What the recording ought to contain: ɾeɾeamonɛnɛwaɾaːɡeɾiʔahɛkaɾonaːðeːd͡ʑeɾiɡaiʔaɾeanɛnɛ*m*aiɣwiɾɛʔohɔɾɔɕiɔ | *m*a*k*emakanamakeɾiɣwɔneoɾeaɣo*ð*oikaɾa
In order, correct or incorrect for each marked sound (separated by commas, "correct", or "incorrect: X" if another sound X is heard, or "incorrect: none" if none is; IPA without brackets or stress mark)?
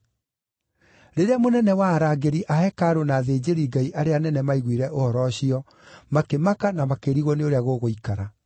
correct, correct, correct, incorrect: ɣ